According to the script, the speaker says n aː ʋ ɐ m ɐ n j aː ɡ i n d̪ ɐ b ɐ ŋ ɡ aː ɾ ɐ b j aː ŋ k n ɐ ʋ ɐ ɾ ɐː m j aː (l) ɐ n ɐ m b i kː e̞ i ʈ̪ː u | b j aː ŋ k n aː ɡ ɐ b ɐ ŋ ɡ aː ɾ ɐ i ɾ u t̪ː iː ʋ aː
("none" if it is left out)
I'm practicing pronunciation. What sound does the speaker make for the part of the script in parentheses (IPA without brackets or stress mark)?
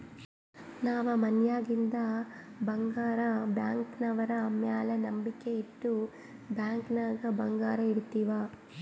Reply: l